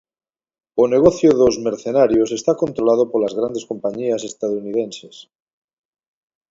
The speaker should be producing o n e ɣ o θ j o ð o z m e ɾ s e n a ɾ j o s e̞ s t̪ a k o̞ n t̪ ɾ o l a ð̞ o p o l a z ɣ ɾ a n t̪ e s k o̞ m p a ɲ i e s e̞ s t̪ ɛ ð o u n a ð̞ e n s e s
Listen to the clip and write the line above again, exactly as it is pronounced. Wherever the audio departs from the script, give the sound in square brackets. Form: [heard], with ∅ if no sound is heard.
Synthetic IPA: o n e ɣ o θ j o ð o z m e ɾ [θ] e n a ɾ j o s e̞ s t̪ a k o̞ n t̪ ɾ o l a ð̞ o p o l a z ɣ ɾ a n [d̪] e s k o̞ m p a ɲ i [a] s e̞ s t̪ [a] ð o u n [i] ð̞ e n s e s